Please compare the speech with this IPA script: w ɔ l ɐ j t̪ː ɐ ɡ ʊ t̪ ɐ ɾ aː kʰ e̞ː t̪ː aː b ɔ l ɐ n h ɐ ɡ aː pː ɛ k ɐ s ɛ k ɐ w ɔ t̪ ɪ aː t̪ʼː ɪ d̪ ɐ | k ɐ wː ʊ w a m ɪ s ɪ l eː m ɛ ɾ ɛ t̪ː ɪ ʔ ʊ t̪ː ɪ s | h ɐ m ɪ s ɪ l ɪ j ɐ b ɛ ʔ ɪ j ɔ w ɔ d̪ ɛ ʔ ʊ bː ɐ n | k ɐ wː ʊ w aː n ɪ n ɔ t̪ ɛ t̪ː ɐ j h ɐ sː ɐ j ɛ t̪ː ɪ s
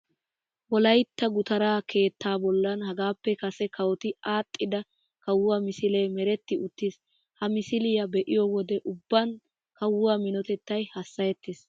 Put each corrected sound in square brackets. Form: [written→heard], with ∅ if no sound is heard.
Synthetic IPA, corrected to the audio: w ɔ l ɐ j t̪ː ɐ ɡ ʊ t̪ ɐ ɾ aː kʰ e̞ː t̪ː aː b ɔ [l→lː] ɐ n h ɐ ɡ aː pː ɛ k ɐ s ɛ k ɐ w ɔ t̪ ɪ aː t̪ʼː ɪ d̪ ɐ | k ɐ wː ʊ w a m ɪ s ɪ l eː m ɛ ɾ ɛ t̪ː ɪ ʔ ʊ t̪ː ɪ s | h ɐ m ɪ s ɪ l ɪ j ɐ b ɛ ʔ ɪ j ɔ w ɔ d̪ ɛ ʔ ʊ bː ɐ n | k ɐ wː ʊ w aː [n→m] ɪ n ɔ t̪ ɛ t̪ː ɐ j h ɐ sː ɐ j ɛ t̪ː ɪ s